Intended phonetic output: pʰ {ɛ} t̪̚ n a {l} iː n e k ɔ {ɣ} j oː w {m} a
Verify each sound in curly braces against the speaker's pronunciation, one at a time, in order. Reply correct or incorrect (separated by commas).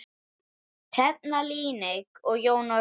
correct, correct, correct, incorrect